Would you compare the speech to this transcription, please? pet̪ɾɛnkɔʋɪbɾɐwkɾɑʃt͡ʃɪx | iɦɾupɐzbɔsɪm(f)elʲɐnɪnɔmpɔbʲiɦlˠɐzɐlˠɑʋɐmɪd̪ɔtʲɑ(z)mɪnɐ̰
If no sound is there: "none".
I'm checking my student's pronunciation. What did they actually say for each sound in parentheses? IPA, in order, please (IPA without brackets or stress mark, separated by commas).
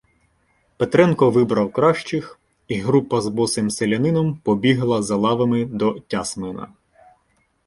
s, s